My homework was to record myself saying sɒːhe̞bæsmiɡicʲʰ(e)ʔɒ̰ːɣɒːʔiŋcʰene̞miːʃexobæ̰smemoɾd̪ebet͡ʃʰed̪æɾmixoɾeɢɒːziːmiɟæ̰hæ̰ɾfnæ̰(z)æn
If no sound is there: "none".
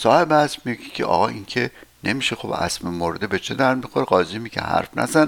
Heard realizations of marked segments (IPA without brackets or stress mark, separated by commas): e, z